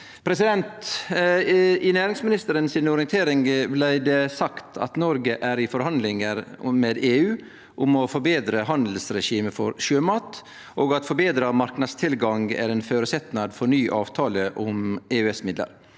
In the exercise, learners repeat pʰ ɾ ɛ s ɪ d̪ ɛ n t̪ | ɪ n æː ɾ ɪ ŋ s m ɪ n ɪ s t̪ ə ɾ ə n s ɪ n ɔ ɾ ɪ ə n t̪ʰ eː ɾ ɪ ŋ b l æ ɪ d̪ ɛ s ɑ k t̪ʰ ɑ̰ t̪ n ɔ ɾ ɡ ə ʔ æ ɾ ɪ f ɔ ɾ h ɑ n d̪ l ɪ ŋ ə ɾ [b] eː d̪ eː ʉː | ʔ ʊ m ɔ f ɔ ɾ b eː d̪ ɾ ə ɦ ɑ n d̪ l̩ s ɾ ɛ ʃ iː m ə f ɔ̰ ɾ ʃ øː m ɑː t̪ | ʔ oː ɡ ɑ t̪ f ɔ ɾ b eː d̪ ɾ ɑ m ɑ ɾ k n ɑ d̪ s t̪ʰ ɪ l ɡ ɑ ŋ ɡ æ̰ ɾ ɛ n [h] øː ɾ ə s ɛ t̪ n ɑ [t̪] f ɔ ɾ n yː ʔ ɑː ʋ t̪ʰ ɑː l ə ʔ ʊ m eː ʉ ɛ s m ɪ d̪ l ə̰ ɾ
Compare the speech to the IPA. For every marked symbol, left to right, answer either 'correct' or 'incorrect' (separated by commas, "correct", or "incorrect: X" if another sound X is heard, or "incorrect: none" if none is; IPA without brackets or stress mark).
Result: incorrect: m, incorrect: f, incorrect: d̪